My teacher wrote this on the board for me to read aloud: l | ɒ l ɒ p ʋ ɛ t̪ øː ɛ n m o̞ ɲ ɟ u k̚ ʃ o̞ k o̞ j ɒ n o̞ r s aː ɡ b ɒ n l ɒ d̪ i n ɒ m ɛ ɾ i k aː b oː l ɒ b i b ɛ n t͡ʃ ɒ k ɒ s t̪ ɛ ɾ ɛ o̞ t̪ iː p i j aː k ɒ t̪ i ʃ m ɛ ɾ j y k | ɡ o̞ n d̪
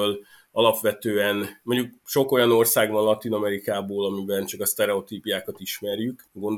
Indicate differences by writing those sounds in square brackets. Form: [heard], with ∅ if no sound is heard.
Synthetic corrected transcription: l | ɒ l ɒ p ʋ ɛ t̪ øː ɛ n m o̞ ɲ ɟ u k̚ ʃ o̞ k o̞ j ɒ n o̞ r s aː ɡ b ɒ n l ɒ [t̪] i n ɒ m ɛ ɾ i k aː b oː l ɒ [m] i b ɛ n t͡ʃ ɒ k ɒ s t̪ ɛ ɾ ɛ o̞ t̪ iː p i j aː k ɒ t̪ i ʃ m ɛ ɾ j y k | ɡ o̞ n d̪